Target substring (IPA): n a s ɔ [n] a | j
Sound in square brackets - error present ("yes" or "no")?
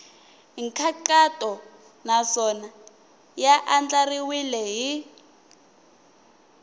no